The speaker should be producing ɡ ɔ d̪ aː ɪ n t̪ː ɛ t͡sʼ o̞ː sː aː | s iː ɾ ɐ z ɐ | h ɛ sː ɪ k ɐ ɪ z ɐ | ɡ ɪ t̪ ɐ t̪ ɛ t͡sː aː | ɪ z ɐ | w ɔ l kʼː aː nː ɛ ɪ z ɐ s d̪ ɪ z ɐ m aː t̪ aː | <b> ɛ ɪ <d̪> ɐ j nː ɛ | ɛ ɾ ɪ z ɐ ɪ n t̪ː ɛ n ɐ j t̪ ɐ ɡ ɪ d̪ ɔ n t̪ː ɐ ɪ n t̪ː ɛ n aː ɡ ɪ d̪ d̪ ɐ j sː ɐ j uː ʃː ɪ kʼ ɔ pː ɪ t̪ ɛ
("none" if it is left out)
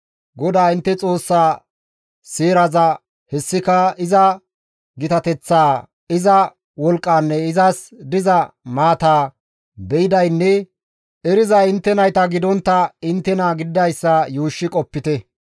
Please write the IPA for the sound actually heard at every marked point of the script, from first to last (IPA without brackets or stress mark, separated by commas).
b, d̪